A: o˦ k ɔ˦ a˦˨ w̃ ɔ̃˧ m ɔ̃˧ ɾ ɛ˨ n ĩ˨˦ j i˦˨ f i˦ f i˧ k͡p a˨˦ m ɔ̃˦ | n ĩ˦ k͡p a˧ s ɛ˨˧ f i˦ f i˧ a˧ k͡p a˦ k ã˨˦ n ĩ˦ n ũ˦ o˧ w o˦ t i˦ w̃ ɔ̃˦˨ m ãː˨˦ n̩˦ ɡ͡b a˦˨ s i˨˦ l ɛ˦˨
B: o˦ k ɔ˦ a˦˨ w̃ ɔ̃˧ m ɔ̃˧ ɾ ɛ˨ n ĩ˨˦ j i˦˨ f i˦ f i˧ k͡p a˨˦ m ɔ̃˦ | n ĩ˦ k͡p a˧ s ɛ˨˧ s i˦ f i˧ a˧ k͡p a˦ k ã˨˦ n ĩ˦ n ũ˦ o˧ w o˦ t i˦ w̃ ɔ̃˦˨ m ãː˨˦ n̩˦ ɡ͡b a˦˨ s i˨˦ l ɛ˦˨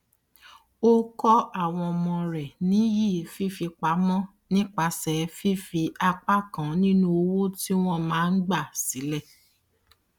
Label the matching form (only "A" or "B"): A